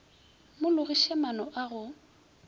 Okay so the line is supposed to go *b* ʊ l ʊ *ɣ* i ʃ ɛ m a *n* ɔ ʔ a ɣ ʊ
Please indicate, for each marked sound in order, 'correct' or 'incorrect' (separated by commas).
incorrect, correct, correct